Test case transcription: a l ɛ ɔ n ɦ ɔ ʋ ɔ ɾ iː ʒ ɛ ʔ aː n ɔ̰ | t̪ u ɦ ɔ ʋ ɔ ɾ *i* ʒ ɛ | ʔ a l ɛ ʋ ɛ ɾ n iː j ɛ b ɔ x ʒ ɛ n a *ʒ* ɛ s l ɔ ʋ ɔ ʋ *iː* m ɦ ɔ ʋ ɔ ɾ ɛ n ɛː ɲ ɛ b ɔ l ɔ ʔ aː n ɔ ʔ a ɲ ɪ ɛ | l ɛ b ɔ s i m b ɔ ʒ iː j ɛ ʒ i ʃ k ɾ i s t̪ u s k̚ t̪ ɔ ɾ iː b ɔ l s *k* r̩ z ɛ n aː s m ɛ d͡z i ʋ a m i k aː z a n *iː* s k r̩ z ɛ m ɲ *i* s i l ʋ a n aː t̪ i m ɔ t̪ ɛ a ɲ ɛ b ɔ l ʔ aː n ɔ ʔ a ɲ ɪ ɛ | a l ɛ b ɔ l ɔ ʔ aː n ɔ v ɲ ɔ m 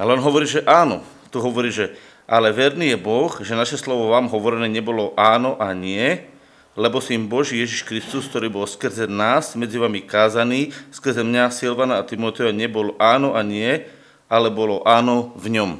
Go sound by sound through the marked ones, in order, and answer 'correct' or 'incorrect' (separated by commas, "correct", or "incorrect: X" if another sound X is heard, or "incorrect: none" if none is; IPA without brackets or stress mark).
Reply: incorrect: iː, incorrect: ʃ, incorrect: aː, correct, correct, incorrect: a